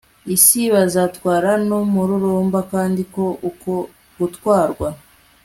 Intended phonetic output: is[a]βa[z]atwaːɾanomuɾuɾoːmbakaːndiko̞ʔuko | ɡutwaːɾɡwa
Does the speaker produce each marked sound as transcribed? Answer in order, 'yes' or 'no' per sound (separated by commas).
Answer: no, yes